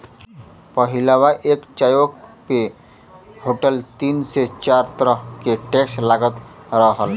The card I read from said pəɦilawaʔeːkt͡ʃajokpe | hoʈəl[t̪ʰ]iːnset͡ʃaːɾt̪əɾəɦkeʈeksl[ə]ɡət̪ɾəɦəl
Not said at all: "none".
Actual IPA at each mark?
t̪, a

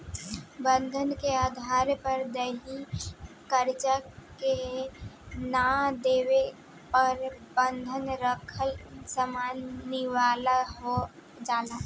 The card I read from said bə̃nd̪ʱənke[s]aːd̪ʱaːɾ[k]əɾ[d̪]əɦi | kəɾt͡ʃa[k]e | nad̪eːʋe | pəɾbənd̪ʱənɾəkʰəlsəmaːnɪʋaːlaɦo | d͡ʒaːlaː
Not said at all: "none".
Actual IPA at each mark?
none, p, d̪, k

